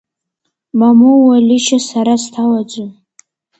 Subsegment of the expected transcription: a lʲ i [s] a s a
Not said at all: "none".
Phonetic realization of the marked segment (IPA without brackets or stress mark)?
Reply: ʃ